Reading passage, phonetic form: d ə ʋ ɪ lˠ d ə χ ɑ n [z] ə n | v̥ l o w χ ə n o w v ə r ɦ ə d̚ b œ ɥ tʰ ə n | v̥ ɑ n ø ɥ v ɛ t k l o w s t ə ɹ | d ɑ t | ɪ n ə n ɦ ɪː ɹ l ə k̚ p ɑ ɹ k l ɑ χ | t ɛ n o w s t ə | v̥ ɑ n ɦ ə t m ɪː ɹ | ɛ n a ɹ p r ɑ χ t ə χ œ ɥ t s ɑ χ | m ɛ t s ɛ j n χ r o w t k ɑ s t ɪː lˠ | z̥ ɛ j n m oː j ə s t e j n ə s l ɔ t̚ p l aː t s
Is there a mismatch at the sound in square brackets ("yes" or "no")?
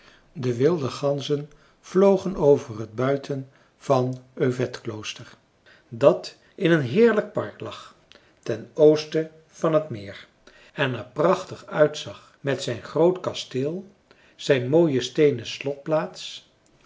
no